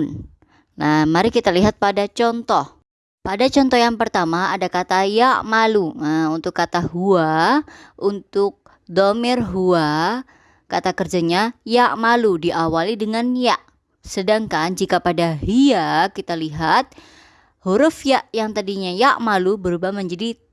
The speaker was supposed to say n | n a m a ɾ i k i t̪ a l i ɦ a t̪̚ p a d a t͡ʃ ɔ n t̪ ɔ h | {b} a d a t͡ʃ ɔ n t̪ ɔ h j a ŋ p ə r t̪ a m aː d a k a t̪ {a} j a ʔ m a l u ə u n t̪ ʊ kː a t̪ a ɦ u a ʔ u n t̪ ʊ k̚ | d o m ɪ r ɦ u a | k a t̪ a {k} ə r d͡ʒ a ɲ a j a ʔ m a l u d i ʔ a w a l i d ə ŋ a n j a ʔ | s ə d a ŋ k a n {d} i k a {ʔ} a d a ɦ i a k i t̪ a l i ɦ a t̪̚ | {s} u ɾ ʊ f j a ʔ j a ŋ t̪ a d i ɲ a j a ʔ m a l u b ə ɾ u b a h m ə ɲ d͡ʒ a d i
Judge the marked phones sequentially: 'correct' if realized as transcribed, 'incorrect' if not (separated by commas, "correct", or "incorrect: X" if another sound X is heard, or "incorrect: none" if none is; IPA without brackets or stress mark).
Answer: incorrect: p, correct, correct, incorrect: d͡ʒ, incorrect: p, incorrect: h